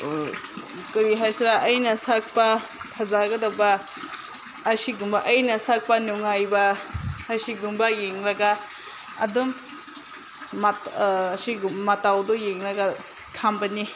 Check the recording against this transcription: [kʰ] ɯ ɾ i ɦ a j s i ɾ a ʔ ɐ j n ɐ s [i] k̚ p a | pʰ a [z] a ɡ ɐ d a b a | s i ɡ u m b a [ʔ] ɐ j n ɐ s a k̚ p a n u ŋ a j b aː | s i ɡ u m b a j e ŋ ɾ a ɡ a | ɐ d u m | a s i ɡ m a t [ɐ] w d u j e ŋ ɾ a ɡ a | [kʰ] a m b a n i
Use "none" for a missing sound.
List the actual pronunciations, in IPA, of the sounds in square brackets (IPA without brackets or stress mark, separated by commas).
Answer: k, a, z, ʔ, a, kʰ